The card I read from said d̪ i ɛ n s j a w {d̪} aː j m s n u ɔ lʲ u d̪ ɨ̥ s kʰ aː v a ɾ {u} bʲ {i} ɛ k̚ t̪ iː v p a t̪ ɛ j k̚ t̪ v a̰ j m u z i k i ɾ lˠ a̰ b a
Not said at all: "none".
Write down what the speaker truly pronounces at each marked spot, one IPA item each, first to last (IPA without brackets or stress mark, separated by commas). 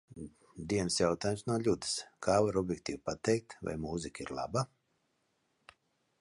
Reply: t̪, ɔ, j